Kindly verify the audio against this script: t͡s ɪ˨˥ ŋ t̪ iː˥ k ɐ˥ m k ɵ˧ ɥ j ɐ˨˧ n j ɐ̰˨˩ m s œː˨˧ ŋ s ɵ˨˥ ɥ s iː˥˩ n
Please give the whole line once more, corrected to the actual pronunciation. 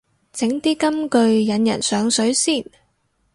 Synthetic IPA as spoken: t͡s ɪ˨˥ ŋ t̪ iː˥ k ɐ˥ m k ɵ˧ ɥ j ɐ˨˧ n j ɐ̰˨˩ n s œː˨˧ ŋ s ɵ˨˥ ɥ s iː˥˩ n